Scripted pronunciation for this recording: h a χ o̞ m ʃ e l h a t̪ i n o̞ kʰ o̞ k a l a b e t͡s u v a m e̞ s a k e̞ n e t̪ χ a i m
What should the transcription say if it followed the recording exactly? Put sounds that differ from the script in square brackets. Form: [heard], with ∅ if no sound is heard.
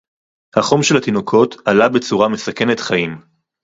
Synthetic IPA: h a χ o̞ m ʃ e l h a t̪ i n o̞ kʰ o̞ [t] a l a b e t͡s u [ʁ] a m e̞ s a k e̞ n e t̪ χ a i m